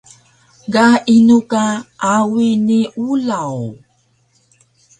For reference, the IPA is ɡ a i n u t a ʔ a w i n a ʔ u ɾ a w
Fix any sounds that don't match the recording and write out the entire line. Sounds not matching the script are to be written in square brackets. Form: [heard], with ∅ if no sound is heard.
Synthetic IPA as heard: ɡ a i n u [k] a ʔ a w i n [i] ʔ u [l] a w